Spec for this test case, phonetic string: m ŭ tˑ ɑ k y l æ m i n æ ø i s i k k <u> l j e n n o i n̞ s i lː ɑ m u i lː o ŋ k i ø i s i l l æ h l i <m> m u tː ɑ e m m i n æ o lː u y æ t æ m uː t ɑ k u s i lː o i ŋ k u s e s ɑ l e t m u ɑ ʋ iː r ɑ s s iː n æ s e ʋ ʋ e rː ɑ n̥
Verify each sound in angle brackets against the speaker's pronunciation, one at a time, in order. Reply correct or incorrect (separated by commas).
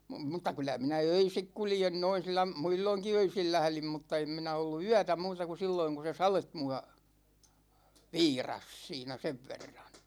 correct, correct